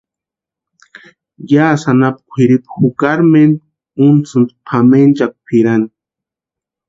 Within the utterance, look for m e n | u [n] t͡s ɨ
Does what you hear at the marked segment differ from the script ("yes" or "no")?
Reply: no